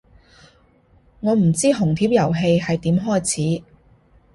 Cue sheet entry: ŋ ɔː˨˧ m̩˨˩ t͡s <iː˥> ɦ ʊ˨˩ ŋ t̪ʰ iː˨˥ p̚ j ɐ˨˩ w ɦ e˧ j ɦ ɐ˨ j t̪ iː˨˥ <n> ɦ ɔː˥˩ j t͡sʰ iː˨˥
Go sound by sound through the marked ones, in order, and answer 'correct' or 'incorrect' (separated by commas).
correct, incorrect